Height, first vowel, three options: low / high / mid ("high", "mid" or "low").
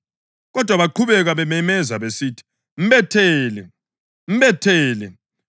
mid